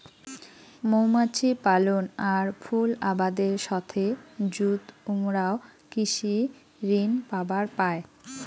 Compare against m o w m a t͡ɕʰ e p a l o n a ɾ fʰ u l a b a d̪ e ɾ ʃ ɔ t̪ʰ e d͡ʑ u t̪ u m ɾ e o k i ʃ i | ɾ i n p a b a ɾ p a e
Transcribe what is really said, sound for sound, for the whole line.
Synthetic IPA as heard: m o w m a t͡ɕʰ i p a l o n a ɾ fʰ u l a b a d̪ e ɾ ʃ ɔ t̪ʰ e d͡ʑ u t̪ u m ɾ a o k i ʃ i | ɾ i n p a b a ɾ p a e

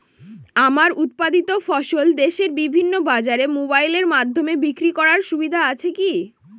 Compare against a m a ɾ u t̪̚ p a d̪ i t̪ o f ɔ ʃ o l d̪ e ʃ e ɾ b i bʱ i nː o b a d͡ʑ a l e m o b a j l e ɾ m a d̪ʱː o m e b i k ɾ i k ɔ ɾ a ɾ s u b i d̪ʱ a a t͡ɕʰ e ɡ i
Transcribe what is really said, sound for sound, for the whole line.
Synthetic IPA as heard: a m a ɾ u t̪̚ p a d̪ i t̪ o f ɔ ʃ o l d̪ e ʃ e ɾ b i bʱ i nː o b a d͡ʑ a ɾ e m o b a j l e ɾ m a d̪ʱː o m e b i k ɾ i k ɔ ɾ a ɾ ʃ u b i d̪ʱ a a t͡ɕʰ e k i

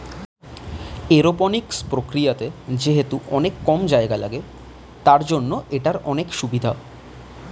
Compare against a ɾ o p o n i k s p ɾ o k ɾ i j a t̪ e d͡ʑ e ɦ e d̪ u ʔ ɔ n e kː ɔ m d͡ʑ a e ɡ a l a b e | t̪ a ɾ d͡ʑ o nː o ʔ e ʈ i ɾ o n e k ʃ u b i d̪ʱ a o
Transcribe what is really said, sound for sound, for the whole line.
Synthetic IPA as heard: e ɾ o p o n i k s p ɾ o k ɾ i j a t̪ e d͡ʑ e ɦ e t̪ u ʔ ɔ n e kː ɔ m d͡ʑ a e ɡ a l a ɡ e | t̪ a ɾ d͡ʑ o nː o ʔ e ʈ a ɾ ɔ n e k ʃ u b i d̪ʱ a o

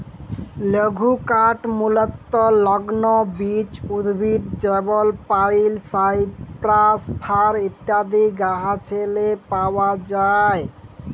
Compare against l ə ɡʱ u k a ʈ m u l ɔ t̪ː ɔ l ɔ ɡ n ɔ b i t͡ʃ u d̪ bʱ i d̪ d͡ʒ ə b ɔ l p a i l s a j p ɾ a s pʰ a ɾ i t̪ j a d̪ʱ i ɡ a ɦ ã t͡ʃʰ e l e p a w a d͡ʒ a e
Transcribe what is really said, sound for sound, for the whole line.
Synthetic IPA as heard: l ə ɡʱ u k a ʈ m u l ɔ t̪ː ɔ l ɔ ɡ n ɔ b i t͡ʃ u d̪ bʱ i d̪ d͡ʒ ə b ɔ l p a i l s a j p ɾ a s pʰ a ɾ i t̪ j a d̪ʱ i ɡ a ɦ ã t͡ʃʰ e l e p a w a d͡ʒ a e

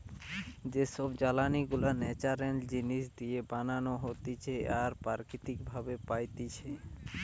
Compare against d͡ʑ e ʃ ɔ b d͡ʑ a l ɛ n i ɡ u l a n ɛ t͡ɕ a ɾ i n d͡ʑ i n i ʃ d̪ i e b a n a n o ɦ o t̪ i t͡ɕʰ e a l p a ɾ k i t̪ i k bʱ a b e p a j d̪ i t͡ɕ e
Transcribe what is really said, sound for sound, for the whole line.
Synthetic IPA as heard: d͡ʑ e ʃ ɔ b d͡ʑ a l a n i ɡ u l a n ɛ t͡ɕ a ɾ e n d͡ʑ i n i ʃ d̪ i e b a n a n o ɦ o t̪ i t͡ɕʰ e a ɾ p a ɾ k i t̪ i k bʱ a b e p a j t̪ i t͡ɕʰ e

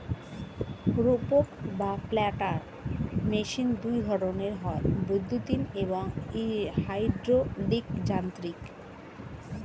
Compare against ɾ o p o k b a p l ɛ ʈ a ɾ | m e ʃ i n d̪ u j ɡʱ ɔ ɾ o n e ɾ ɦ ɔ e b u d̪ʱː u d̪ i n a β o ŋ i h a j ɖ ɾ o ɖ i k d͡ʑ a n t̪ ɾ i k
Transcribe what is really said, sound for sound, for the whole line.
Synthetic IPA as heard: ɾ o p o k b a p l ɛ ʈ a ɾ | m e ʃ i n d̪ u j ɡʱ ɔ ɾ o n e ɾ ɦ ɔ e b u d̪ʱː u t̪ i n e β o ŋ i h a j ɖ ɾ o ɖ i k d͡ʑ a n t̪ ɾ i k

